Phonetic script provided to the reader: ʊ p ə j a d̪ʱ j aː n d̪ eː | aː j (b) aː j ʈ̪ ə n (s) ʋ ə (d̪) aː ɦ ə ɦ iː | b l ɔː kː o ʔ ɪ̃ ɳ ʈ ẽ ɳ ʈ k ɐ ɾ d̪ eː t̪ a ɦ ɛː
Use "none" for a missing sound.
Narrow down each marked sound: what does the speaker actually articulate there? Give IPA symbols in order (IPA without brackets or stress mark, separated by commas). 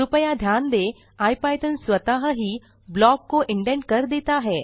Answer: p, s, t̪